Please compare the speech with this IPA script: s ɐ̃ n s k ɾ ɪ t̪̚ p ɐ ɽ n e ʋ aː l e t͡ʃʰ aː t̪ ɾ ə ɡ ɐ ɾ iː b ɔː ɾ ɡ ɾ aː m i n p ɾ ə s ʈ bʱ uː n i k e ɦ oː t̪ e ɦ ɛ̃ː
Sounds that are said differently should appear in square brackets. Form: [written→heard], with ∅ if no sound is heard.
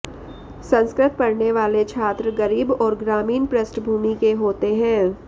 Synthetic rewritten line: s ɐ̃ n s k ɾ ɪ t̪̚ p ɐ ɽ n e ʋ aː l e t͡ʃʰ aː t̪ ɾ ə ɡ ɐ ɾ iː b ɔː ɾ ɡ ɾ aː m [i→iː] n p ɾ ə s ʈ bʱ uː [n→m] i k e ɦ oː t̪ e ɦ ɛ̃ː